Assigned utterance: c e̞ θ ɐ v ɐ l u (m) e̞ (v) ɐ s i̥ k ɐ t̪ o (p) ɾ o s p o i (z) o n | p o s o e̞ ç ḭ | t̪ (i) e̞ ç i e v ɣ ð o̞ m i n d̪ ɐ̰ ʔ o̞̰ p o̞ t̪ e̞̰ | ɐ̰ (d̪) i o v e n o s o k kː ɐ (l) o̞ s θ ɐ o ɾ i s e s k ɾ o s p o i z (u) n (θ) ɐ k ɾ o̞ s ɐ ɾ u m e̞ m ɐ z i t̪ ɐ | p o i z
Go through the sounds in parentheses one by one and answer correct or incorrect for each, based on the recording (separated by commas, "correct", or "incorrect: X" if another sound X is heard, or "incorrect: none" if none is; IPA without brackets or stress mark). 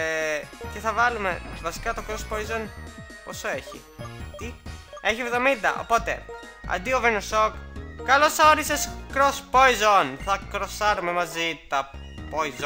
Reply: correct, correct, incorrect: k, correct, correct, correct, correct, incorrect: o, correct